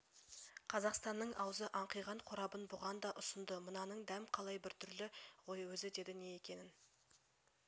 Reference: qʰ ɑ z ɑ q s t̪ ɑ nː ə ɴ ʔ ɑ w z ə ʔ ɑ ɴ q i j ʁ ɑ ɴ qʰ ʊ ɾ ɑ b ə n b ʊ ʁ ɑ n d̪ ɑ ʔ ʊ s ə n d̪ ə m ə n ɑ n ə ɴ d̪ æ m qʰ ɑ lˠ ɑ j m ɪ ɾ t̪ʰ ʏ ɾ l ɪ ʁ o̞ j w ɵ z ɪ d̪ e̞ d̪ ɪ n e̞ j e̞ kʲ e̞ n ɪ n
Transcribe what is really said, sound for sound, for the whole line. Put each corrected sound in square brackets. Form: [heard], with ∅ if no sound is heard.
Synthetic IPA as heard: qʰ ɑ z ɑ q s t̪ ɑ nː ə ɴ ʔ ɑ w z ə ʔ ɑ ɴ q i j ʁ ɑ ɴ qʰ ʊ ɾ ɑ b ə n b ʊ ʁ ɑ n d̪ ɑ ʔ ʊ s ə n d̪ ə m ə n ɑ n ə ɴ d̪ æ m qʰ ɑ lˠ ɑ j [b] ɪ ɾ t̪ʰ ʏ ɾ l ɪ ʁ o̞ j w ɵ z ɪ d̪ e̞ d̪ ɪ n e̞ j e̞ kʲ e̞ n ɪ n